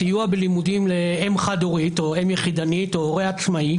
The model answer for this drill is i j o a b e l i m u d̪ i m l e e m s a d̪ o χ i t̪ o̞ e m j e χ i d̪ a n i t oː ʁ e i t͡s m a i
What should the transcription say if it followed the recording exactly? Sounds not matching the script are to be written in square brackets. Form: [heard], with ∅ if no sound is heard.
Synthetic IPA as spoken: i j [u] a b e l i m u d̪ i m l e e m [χ] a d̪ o [ʁ] i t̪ o̞ e m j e χ i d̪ a n i t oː ʁ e [a] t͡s m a i